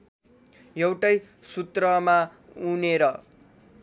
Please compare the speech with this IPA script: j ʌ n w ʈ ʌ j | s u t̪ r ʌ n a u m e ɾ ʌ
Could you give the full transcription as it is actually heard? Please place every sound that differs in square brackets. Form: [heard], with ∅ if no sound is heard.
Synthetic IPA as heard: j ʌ [∅] w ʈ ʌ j | s u t̪ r ʌ [m] a u [n] e ɾ ʌ

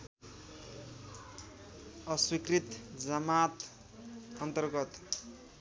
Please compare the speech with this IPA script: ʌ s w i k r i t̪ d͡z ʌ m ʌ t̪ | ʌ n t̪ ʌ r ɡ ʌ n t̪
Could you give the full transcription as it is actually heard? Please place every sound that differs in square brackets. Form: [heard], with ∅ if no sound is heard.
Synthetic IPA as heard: ʌ s w i k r i t̪ d͡z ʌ m [a] t̪ | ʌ n t̪ ʌ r ɡ ʌ [∅] t̪

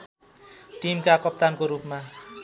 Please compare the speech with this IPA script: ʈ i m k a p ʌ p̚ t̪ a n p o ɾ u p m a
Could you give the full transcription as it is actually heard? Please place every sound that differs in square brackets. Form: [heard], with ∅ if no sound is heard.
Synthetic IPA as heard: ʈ i m k a [k] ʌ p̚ t̪ a n [k] o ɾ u p m a

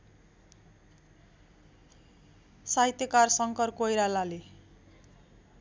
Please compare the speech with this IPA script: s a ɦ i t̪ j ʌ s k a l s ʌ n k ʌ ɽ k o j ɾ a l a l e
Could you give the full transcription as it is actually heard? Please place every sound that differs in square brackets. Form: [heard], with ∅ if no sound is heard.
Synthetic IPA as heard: s a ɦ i t̪ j ʌ [∅] k a [r] s ʌ [ŋ] k ʌ [r] k o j ɾ a l a l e

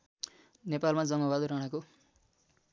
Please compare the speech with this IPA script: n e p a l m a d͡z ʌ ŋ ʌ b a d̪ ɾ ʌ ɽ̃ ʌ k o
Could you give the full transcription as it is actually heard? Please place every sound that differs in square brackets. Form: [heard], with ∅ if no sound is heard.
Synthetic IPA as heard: n e p a l m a d͡z ʌ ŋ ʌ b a d̪ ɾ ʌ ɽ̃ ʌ k o

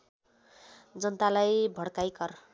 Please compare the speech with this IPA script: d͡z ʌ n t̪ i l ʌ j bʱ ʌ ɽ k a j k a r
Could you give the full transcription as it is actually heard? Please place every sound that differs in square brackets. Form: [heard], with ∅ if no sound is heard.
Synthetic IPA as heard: d͡z ʌ n t̪ [a] l [a] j bʱ ʌ ɽ k a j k [ʌ] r

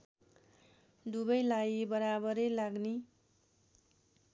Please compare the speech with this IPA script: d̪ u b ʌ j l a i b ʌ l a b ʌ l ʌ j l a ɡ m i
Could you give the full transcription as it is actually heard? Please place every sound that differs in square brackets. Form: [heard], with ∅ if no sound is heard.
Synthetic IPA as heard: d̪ u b ʌ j l a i b ʌ [ɾ] a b ʌ [ɾ] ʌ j l a ɡ [n] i

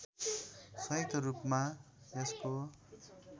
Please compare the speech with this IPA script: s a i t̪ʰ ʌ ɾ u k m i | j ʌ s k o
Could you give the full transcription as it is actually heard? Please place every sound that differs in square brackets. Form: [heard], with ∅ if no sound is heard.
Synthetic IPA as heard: s [ʌ] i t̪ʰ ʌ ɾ u [p] m [a] | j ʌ s k o

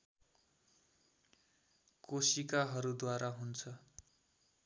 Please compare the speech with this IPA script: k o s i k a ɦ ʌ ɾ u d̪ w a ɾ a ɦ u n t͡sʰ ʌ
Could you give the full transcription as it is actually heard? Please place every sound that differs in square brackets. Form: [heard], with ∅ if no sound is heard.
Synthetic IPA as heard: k o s i k a ɦ ʌ ɾ u d̪ w a ɾ a ɦ u n t͡sʰ ʌ

